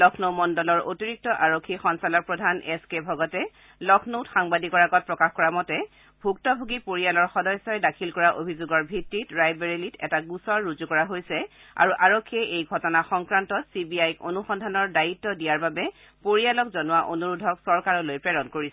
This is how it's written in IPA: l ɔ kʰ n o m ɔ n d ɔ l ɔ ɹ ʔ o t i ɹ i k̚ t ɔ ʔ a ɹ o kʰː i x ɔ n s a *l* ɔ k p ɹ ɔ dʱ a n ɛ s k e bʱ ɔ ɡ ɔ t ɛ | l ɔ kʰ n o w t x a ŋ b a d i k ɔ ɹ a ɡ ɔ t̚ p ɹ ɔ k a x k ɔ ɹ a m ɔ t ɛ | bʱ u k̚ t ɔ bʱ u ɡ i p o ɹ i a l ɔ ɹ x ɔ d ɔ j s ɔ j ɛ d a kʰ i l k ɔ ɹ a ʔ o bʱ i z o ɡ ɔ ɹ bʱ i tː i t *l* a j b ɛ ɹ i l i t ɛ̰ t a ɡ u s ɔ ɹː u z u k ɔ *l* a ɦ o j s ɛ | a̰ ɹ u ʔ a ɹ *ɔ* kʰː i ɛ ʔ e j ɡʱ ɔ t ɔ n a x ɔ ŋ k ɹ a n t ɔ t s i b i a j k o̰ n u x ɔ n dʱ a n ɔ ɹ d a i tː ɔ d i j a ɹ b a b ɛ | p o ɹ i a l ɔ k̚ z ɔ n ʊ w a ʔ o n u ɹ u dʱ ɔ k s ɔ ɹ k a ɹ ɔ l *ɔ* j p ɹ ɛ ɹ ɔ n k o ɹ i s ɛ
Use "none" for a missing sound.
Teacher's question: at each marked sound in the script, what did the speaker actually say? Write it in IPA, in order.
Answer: l, ɹ, ɹ, o, o

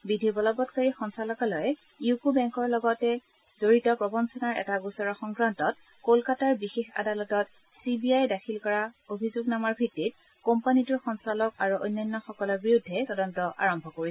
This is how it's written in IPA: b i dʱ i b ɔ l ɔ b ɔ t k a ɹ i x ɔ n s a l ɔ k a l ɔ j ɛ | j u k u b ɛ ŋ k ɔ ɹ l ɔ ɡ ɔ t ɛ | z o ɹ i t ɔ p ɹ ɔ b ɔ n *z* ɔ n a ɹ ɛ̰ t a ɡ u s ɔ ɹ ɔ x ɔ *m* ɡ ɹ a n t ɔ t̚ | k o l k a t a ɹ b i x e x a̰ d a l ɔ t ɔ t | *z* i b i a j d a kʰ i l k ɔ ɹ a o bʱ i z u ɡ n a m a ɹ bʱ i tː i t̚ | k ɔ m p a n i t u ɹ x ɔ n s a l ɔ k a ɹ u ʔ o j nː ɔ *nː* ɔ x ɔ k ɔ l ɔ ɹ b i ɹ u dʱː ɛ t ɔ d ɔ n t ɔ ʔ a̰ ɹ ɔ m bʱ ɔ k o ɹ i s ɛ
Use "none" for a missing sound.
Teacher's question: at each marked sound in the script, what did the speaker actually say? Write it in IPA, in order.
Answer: s, ŋ, s, nː

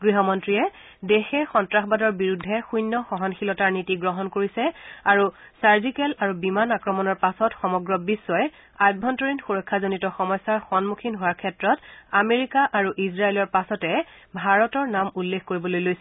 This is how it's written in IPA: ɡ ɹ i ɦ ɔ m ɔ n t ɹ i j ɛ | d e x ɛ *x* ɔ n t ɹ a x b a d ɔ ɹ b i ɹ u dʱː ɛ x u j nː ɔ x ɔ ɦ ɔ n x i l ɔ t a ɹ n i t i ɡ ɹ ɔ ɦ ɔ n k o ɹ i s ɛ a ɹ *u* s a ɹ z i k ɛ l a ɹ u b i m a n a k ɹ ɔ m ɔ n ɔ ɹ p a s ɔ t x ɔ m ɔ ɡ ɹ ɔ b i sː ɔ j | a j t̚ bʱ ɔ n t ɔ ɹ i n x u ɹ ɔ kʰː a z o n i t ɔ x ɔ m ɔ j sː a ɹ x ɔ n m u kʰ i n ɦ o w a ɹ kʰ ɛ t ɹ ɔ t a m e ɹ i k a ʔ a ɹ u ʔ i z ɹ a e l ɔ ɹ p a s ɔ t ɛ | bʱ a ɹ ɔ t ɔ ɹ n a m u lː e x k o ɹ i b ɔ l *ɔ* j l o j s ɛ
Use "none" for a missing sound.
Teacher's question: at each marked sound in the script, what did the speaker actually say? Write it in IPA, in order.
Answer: x, u, o

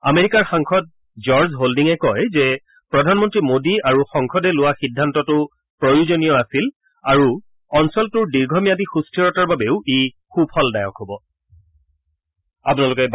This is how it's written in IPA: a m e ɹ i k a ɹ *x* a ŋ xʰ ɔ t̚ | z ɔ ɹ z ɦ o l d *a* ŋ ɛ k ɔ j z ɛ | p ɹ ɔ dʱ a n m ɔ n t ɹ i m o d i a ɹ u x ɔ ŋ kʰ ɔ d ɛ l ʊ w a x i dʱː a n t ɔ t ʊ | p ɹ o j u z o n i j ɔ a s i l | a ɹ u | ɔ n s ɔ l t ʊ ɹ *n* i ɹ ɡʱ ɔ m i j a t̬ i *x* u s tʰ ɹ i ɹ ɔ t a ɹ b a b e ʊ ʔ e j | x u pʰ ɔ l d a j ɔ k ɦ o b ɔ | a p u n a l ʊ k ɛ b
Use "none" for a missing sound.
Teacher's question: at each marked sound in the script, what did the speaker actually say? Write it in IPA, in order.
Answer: x, i, d, x

